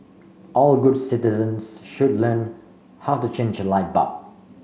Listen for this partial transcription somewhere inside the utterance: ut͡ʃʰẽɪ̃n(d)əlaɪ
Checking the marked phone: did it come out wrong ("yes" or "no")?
yes